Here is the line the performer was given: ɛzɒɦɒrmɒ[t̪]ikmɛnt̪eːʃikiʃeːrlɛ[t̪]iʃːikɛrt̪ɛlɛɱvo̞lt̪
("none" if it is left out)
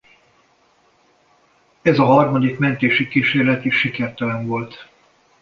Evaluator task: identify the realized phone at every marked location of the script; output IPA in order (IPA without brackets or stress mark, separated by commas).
d̪, t̪